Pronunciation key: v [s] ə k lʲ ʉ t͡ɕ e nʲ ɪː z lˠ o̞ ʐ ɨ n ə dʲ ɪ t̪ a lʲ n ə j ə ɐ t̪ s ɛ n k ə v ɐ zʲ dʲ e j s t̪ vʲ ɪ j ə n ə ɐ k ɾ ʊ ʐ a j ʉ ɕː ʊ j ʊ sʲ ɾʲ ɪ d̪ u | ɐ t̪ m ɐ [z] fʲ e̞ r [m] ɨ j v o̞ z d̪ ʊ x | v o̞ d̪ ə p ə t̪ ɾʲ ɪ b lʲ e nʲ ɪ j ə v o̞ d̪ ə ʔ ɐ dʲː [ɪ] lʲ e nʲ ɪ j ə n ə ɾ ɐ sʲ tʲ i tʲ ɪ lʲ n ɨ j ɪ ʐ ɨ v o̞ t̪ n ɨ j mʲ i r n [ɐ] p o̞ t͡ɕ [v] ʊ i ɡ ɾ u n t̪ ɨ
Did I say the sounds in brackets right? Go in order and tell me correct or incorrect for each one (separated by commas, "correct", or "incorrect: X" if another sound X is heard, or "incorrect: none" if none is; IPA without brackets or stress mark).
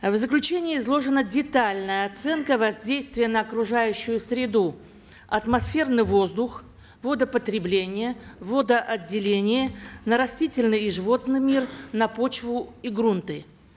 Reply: incorrect: z, incorrect: s, incorrect: n, correct, correct, correct